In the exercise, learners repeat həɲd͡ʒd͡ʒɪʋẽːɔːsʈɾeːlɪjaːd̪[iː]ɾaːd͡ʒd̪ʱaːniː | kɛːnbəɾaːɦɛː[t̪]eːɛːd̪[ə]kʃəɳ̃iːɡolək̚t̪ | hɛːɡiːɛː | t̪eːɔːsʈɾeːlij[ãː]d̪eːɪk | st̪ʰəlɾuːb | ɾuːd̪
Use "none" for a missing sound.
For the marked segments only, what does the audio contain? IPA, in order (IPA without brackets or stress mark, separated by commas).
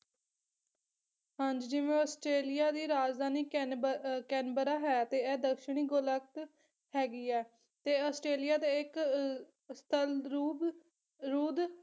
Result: iː, t̪, ə, aː